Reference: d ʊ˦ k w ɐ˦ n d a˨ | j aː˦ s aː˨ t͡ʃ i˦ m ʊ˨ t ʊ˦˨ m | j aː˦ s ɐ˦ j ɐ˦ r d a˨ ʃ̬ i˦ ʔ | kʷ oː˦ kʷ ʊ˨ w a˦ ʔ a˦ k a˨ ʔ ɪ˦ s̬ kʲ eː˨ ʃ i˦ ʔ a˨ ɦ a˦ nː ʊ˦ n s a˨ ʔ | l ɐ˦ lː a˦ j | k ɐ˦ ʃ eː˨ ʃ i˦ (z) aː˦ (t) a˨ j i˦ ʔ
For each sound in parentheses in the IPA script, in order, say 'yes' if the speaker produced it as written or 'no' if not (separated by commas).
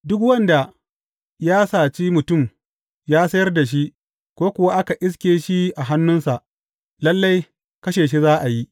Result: yes, no